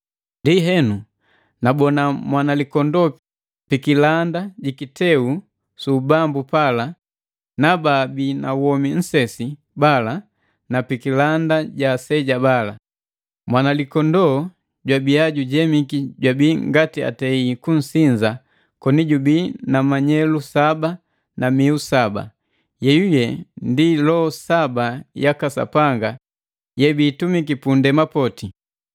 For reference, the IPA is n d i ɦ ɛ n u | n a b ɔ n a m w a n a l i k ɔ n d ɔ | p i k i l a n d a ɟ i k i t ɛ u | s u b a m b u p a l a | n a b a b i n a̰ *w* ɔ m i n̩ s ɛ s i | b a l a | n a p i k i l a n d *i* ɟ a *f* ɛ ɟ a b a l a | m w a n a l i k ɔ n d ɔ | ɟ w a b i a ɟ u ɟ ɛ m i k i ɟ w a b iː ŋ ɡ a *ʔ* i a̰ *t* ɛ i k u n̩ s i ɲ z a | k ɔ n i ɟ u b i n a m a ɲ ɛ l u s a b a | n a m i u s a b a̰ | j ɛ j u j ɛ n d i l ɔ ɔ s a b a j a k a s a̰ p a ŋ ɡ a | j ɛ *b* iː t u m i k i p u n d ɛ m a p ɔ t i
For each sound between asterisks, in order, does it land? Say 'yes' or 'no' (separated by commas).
yes, no, no, no, yes, yes